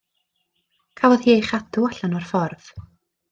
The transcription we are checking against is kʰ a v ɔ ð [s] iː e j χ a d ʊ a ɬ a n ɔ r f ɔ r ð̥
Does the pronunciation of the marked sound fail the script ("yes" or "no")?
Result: yes